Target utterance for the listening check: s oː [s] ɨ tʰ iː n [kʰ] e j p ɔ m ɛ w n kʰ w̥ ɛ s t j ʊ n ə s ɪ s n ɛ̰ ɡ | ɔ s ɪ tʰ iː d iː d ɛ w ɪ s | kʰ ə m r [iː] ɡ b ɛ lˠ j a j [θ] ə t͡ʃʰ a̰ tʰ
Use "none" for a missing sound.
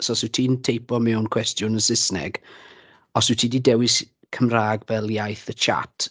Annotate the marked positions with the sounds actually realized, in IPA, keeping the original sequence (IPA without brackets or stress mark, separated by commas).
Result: s, tʰ, aː, θ